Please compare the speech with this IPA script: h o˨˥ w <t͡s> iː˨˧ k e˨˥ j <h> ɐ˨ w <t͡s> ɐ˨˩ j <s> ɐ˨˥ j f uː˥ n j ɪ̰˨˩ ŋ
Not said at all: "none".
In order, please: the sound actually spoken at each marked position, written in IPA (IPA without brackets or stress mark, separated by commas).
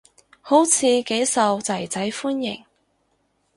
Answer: t͡sʰ, s, t͡s, t͡s